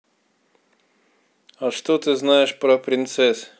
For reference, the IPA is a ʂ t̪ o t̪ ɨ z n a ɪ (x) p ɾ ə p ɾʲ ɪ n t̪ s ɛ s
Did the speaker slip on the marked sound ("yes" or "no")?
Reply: yes